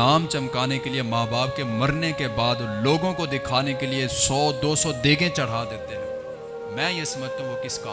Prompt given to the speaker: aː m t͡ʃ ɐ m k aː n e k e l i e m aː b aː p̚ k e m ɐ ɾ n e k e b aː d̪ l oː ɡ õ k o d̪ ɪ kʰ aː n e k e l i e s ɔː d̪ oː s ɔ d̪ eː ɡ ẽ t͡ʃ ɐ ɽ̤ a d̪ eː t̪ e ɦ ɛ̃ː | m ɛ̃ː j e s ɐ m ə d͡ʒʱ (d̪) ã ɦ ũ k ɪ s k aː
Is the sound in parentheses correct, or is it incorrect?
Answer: incorrect